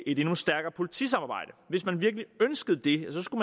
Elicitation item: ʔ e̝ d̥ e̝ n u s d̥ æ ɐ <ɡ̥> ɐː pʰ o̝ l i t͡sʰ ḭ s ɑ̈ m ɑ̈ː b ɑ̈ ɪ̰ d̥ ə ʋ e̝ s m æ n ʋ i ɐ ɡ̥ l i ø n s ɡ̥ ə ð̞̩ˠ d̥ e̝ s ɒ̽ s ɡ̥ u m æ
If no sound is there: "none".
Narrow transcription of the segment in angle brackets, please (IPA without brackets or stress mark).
ɡ̥